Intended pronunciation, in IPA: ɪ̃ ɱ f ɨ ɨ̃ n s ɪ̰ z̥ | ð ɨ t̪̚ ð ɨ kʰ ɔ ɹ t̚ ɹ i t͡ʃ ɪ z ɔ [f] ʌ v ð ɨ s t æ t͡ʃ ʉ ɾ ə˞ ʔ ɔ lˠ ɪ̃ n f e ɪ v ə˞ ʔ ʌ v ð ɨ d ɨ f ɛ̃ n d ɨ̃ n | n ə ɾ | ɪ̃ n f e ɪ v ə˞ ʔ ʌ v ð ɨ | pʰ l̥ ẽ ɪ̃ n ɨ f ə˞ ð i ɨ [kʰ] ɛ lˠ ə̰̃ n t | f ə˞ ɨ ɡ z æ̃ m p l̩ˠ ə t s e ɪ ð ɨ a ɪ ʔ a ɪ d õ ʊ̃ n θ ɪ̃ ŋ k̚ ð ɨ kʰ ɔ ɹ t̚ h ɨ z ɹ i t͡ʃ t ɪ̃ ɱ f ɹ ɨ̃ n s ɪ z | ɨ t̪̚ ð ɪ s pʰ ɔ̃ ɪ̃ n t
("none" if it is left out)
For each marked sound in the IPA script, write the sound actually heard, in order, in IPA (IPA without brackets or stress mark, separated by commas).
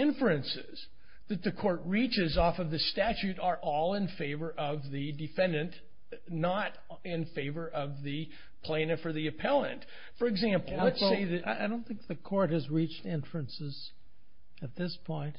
f, pʰ